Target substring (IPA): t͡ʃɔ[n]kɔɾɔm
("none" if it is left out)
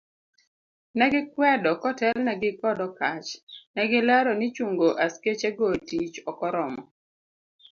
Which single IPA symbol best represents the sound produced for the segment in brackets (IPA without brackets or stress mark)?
none